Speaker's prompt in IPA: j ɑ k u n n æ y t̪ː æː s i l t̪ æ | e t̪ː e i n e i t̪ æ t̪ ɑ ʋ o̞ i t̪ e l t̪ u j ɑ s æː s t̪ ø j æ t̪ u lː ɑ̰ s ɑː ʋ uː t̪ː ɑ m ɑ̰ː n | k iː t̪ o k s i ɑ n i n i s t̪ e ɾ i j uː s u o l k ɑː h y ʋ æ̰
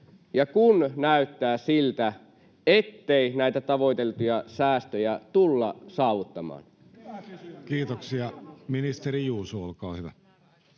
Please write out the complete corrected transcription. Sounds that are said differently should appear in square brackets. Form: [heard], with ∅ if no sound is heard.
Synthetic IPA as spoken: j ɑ k u n n æ y t̪ː æː s i l t̪ æ | e t̪ː e i n [æ] i t̪ æ t̪ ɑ ʋ o̞ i t̪ e l t̪ u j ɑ s æː s t̪ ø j æ t̪ u lː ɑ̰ s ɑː ʋ [u] t̪ː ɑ m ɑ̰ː n | k iː t̪ o k s i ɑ [m] i n i s t̪ e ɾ i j uː s u o l k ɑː h y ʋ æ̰